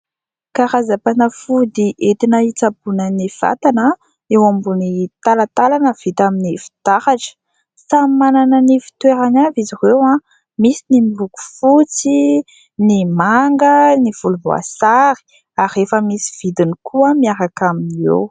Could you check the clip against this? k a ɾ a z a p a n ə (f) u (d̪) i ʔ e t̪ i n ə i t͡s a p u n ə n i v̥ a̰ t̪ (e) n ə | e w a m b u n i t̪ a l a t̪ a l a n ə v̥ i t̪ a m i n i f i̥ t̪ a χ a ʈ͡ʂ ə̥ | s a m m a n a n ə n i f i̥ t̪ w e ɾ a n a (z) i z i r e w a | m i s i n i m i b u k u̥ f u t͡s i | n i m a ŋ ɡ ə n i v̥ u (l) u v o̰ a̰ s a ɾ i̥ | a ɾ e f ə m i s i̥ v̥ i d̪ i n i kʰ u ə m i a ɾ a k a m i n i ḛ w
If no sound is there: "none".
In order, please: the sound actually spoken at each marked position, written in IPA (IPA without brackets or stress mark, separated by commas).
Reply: f, d̪, a, v, l